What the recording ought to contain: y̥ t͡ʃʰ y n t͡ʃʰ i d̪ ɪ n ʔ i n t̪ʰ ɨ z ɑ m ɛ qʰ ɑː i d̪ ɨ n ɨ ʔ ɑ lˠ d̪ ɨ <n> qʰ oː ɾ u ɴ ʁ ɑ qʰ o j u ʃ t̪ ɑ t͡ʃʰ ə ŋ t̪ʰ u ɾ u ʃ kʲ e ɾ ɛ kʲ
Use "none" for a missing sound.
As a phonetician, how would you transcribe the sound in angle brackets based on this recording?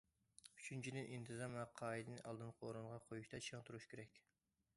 n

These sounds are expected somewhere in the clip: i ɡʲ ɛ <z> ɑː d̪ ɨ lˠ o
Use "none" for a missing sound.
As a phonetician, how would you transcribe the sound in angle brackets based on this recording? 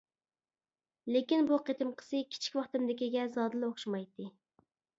z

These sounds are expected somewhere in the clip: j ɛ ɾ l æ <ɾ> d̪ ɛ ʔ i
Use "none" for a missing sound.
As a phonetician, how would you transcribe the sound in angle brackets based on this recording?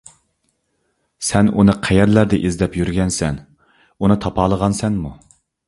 ɾ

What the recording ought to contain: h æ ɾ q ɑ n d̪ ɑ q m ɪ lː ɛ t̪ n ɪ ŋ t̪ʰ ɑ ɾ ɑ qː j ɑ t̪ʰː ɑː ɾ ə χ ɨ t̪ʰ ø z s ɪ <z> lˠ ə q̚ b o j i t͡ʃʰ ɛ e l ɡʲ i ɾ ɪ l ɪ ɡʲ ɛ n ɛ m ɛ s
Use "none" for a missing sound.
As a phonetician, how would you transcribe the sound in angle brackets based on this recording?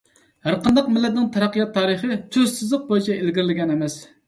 z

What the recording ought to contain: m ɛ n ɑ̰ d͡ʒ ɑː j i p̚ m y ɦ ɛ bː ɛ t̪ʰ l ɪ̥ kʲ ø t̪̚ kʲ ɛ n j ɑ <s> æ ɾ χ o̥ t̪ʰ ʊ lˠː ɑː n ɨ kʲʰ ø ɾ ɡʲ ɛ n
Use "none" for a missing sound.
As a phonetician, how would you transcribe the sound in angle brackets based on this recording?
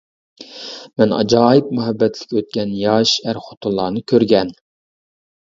ʃ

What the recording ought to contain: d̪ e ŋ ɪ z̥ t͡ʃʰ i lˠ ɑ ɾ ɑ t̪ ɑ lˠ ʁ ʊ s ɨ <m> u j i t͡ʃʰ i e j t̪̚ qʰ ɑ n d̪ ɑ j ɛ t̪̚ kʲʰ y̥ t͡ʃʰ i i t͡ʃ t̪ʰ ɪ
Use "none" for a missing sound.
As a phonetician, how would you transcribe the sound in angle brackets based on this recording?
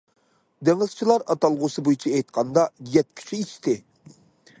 b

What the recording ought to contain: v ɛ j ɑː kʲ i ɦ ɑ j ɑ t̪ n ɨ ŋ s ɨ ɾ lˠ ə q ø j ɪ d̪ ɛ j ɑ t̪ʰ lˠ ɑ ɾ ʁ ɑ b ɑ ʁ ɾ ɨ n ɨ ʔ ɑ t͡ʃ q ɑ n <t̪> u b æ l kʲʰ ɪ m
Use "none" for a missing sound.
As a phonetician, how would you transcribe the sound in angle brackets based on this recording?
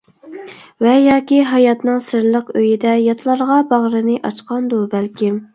d̪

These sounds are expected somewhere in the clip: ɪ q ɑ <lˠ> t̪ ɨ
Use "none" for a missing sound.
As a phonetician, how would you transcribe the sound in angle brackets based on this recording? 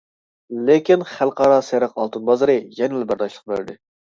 lˠ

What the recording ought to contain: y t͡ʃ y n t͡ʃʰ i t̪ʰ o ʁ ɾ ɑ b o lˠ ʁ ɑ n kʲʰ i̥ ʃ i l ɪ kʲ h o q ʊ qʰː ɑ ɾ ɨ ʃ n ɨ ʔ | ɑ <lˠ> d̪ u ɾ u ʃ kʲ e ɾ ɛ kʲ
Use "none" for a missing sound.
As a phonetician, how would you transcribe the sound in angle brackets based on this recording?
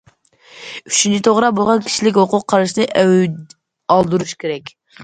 lˠ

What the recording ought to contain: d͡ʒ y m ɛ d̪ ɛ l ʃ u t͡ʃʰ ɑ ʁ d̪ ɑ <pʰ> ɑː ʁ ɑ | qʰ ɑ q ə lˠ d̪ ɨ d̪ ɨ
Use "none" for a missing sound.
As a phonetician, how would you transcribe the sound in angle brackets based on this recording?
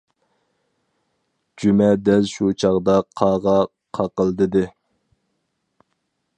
qʰ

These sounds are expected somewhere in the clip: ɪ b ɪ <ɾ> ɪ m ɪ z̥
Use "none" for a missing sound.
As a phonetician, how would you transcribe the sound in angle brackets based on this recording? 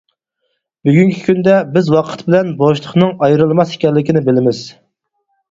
l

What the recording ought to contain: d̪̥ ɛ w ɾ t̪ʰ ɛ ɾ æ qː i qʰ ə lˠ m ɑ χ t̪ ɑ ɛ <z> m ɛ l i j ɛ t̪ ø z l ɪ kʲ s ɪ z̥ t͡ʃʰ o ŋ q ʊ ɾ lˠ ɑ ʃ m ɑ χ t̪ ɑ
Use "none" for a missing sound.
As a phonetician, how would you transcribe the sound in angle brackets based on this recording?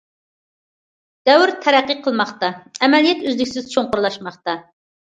none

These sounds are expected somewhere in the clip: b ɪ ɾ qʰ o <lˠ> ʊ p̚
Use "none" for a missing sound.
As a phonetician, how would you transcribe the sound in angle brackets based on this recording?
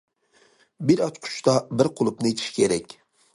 lˠ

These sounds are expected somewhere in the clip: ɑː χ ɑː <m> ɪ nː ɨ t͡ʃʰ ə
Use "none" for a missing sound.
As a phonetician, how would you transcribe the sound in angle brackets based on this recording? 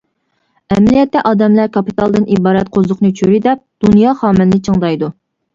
m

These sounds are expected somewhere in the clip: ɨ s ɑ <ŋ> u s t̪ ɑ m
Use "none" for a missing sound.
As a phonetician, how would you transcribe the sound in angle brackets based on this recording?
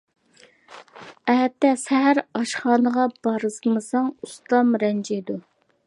ŋ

